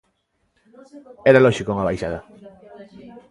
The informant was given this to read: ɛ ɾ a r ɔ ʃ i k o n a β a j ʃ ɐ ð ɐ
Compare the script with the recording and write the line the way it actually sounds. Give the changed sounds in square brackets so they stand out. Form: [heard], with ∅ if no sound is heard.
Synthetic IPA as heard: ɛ ɾ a [l] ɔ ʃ i k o [ŋ] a β a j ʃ [a] ð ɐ

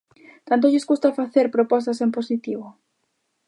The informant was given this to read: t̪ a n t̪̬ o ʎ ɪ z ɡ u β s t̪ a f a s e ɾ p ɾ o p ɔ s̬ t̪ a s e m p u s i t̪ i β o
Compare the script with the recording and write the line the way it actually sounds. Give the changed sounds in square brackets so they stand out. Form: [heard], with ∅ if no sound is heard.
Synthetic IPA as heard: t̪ a n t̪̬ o ʎ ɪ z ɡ u [∅] s t̪ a f a [θ] e ɾ p ɾ o p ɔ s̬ t̪ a s e m p [o] s i t̪ i β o

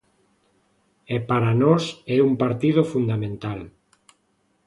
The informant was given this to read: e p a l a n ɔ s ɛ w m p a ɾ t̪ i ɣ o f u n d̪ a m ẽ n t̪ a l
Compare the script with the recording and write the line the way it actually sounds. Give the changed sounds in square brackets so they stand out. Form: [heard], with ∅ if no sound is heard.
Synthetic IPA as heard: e p a [ɾ] a n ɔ s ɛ [u] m p a ɾ t̪ i [ð] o f u n d̪ a m ẽ n t̪ a l

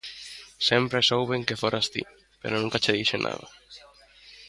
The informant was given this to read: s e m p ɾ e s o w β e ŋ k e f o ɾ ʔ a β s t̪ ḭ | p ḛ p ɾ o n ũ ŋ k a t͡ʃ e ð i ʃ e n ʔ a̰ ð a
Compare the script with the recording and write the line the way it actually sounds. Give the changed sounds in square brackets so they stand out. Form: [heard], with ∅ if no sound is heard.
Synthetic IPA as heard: s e m p ɾ e s o w β e ŋ k e f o ɾ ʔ a [∅] s t̪ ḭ | p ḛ [∅] ɾ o n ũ ŋ k a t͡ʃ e ð i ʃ e n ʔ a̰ ð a

